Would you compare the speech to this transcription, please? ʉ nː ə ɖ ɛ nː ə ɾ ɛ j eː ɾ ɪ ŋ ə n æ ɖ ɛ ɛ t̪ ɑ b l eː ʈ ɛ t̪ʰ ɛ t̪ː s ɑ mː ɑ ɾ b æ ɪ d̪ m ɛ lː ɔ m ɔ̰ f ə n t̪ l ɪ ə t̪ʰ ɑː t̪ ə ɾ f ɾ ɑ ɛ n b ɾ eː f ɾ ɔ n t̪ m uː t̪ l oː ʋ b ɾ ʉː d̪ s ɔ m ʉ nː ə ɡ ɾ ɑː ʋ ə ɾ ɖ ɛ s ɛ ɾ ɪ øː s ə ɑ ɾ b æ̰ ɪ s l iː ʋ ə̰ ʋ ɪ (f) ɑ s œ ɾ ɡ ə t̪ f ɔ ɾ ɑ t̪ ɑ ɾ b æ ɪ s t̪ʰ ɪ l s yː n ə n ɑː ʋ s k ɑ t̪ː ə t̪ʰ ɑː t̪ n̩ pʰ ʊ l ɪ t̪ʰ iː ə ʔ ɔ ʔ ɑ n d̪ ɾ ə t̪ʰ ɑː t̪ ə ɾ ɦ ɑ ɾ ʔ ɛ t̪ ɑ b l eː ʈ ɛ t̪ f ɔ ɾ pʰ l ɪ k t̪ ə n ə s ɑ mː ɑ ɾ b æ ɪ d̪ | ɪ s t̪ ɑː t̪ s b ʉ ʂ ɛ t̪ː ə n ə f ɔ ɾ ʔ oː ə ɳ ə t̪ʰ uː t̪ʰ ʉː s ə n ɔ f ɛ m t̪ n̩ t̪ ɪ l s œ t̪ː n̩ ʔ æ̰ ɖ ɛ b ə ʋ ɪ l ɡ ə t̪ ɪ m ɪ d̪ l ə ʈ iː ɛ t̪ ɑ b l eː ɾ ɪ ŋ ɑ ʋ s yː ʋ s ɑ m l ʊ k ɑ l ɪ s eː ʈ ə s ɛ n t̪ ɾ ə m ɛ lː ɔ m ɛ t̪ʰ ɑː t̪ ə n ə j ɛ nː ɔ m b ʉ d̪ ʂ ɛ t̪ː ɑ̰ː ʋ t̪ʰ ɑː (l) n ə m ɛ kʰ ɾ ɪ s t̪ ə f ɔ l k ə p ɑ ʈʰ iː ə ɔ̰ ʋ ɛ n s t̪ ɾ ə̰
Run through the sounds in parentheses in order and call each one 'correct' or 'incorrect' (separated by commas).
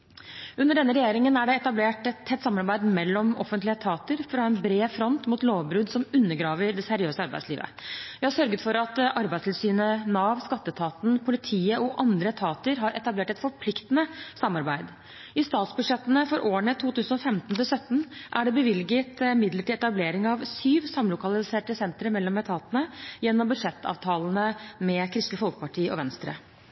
incorrect, correct